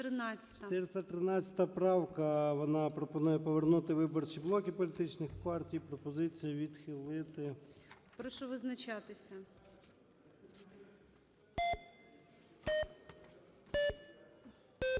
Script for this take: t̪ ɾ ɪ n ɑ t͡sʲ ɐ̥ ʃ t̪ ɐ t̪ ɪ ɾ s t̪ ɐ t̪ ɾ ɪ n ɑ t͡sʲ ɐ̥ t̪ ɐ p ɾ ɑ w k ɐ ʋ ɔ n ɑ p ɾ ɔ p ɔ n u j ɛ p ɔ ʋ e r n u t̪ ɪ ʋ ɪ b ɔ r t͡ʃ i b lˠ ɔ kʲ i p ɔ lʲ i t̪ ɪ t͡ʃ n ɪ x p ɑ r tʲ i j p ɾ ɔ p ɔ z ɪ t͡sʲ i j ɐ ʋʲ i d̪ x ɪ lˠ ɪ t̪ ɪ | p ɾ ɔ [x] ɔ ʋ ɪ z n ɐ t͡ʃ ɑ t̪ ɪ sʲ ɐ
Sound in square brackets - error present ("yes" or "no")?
yes